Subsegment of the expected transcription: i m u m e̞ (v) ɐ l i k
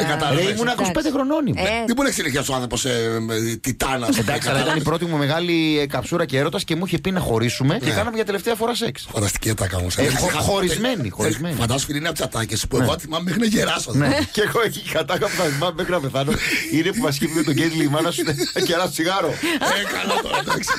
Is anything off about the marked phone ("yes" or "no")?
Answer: yes